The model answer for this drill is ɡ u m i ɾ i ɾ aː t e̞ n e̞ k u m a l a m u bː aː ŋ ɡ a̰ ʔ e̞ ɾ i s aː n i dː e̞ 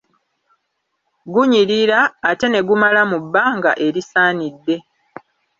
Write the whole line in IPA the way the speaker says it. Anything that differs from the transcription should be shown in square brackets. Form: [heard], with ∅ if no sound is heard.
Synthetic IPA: ɡ u [ɲ] i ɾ i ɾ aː t e̞ n e̞ [ɡ] u m a l a m u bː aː ŋ ɡ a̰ ʔ e̞ ɾ i s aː n i dː e̞